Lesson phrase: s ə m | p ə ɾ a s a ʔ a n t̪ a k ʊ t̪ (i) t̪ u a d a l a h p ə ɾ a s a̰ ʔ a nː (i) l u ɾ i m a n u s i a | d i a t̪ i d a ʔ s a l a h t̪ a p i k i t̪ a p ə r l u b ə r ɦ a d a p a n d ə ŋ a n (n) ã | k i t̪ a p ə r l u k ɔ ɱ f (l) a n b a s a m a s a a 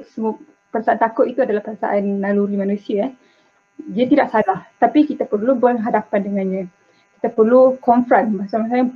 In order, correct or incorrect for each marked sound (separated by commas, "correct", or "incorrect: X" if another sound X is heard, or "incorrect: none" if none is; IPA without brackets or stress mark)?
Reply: correct, incorrect: a, incorrect: ɲ, incorrect: ɾ